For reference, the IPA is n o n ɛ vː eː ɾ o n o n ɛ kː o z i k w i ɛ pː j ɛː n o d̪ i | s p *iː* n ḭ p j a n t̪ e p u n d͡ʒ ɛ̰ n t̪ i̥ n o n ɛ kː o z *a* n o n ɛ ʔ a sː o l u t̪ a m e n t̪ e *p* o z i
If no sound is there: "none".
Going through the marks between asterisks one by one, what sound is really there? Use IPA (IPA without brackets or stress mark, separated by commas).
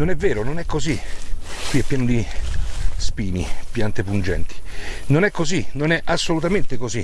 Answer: iː, i, k